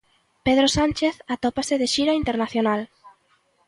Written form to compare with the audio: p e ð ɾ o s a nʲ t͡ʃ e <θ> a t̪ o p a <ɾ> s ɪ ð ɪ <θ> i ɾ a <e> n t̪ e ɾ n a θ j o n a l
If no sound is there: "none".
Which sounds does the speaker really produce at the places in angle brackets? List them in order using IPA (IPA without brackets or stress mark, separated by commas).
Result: θ, none, ʃ, i